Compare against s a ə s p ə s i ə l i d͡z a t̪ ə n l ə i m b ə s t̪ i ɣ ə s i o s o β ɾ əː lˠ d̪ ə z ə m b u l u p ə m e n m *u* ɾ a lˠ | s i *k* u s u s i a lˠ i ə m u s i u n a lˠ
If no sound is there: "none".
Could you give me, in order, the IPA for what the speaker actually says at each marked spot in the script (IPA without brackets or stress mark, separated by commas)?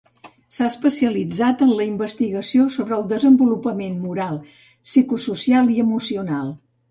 u, k